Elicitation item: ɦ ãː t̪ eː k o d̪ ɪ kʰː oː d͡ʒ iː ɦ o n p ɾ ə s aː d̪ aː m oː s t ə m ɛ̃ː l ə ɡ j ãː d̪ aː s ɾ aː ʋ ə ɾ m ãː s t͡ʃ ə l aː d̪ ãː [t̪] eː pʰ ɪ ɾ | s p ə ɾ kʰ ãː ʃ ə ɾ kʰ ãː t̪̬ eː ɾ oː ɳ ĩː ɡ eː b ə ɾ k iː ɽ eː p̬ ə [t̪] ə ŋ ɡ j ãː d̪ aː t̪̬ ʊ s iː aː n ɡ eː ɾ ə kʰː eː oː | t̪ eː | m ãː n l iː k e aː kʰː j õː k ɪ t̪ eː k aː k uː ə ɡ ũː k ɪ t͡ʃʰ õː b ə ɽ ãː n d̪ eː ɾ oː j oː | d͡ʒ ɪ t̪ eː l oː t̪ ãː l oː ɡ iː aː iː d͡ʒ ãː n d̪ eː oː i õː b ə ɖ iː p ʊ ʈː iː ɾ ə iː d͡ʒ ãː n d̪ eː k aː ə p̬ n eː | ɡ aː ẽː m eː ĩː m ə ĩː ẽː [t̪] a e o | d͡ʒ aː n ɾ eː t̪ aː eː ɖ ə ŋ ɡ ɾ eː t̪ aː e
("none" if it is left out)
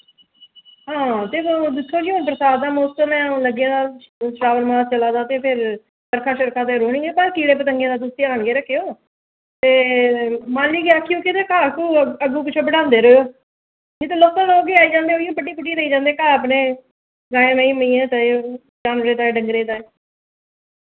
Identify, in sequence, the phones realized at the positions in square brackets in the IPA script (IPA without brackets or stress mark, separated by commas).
t̪, t̪, t̪